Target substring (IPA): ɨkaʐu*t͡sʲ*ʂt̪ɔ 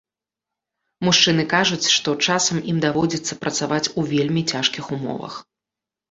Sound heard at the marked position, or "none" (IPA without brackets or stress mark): t͡sʲ